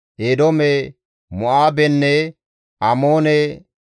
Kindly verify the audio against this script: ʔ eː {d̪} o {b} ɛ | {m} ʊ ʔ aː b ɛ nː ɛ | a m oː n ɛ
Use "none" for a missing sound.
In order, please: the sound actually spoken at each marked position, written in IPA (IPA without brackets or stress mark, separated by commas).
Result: d̪, m, m